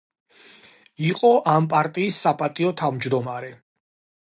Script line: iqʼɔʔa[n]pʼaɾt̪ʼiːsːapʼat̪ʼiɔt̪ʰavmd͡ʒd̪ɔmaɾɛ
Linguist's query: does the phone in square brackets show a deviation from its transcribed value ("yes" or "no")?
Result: yes